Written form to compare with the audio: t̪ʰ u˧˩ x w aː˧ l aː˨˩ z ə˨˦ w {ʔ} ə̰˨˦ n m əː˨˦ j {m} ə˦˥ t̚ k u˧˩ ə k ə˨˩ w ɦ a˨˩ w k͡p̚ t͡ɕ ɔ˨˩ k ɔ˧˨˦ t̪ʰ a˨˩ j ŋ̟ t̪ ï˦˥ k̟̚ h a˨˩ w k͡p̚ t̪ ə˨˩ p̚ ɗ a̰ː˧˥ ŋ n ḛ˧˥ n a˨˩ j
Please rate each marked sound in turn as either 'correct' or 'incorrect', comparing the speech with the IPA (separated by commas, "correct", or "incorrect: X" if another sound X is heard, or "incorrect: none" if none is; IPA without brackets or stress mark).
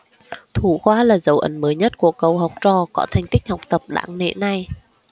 correct, incorrect: ɲ